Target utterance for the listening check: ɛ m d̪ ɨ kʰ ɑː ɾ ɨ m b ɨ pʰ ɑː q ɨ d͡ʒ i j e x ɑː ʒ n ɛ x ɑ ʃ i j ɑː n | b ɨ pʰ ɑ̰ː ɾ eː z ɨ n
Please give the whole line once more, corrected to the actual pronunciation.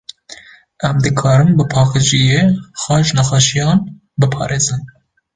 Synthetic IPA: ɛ m d̪ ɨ kʰ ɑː ɾ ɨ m b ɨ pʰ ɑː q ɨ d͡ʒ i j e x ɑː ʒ n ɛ x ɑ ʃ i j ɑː n | b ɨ pʰ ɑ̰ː ɾ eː z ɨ n